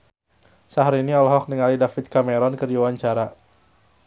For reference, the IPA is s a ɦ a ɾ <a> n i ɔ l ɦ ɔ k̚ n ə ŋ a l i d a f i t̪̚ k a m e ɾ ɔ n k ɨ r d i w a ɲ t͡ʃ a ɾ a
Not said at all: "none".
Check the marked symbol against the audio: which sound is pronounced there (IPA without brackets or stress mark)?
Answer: i